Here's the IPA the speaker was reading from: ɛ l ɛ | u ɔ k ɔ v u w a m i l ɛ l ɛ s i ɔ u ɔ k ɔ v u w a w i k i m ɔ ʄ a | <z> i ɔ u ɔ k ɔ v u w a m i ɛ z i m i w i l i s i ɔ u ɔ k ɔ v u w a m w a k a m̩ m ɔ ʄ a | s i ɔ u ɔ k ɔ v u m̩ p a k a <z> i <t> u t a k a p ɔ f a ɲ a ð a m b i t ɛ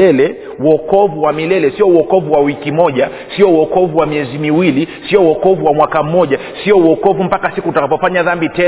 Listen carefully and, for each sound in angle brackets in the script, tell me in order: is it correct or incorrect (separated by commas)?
incorrect, incorrect, incorrect